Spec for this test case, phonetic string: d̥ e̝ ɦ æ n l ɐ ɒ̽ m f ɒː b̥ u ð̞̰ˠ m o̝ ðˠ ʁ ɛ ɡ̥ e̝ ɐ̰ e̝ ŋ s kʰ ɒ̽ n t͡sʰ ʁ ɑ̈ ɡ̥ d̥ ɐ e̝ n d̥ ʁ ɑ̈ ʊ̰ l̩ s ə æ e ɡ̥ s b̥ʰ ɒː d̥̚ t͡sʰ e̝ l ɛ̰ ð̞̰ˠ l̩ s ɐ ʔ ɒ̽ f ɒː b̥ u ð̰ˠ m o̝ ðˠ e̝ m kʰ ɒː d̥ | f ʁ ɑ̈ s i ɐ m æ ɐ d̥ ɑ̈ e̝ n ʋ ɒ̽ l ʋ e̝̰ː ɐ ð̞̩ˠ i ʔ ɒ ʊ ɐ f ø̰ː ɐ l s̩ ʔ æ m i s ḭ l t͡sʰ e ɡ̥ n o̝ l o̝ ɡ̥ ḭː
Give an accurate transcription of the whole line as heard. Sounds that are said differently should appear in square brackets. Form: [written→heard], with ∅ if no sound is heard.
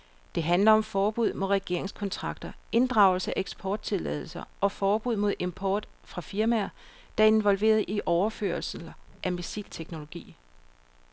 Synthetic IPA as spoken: d̥ e̝ ɦ æ n l ɐ ɒ̽ m f ɒː b̥ u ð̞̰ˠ m o̝ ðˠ ʁ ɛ ɡ̥ e̝ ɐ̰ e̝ ŋ s kʰ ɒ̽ n t͡sʰ ʁ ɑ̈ ɡ̥ d̥ ɐ e̝ n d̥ ʁ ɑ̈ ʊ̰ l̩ s ə æ e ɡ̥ s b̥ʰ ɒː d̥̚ t͡sʰ e̝ l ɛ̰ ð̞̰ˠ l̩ s ɐ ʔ ɒ̽ f ɒː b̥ u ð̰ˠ m o̝ ðˠ e̝ m [kʰ→pʰ] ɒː d̥ | f ʁ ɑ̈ [s→f] i ɐ m æ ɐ d̥ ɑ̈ e̝ n ʋ ɒ̽ l ʋ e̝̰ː ɐ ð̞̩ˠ i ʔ ɒ ʊ ɐ f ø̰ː ɐ l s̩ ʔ æ m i s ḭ l t͡sʰ e ɡ̥ n o̝ l o̝ ɡ̥ ḭː